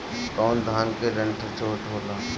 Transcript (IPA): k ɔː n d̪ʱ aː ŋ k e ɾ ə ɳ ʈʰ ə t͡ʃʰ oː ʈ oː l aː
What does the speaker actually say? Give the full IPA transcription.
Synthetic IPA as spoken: k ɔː n d̪ʱ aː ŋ k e ɾ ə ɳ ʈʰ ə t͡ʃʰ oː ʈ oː l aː